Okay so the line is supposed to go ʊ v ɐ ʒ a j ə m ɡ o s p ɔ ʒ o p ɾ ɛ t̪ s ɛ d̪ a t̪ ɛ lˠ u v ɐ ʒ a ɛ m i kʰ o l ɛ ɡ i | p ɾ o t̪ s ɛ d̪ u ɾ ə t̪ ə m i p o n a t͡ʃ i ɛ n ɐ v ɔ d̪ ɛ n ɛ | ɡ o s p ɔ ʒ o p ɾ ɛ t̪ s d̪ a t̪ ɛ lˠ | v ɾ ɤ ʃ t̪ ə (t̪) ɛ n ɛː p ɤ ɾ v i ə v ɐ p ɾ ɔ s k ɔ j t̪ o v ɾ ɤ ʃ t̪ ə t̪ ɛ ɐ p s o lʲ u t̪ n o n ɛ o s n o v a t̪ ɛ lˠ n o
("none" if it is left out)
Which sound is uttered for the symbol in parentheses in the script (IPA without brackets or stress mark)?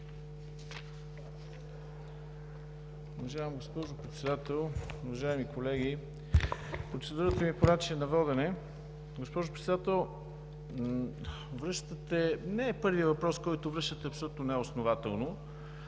t̪